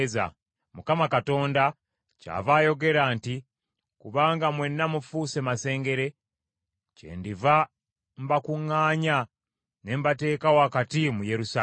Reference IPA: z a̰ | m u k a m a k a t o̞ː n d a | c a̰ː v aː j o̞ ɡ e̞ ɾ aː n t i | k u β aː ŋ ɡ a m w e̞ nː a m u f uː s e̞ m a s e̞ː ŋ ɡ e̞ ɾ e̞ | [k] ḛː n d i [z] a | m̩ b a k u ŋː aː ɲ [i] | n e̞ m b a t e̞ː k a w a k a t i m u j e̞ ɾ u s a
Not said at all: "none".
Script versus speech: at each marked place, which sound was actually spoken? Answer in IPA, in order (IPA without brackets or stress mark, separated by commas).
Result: c, v, a